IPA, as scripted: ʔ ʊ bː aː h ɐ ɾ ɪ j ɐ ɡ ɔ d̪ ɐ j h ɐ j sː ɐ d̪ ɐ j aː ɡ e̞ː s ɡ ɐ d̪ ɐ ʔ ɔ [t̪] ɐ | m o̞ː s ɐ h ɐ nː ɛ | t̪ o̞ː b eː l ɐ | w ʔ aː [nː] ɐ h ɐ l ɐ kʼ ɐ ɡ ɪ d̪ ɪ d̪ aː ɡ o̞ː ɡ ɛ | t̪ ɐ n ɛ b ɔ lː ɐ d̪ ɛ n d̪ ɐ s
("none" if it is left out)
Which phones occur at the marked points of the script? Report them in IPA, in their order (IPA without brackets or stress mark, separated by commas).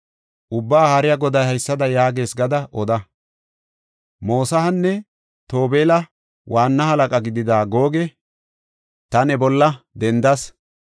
d̪, nː